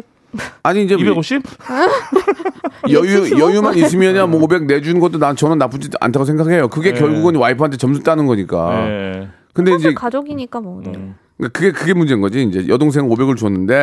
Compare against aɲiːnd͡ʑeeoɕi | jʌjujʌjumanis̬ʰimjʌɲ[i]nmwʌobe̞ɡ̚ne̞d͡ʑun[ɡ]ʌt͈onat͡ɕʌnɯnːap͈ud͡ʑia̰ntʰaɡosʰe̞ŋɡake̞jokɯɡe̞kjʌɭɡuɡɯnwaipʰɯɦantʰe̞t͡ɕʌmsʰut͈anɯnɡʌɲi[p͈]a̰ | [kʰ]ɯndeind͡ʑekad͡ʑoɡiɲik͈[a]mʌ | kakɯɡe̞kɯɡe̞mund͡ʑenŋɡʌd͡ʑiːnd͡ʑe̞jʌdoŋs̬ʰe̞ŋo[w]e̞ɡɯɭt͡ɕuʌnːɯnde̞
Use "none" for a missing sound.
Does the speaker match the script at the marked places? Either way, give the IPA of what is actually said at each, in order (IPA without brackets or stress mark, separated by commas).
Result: a, ɡ, k͈, k, a, b